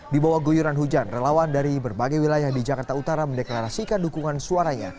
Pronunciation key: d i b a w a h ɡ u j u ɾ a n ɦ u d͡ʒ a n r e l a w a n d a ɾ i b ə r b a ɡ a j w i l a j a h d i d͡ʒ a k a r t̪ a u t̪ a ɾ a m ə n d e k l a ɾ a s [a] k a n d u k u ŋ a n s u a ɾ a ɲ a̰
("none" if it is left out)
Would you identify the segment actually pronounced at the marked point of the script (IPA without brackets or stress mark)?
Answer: i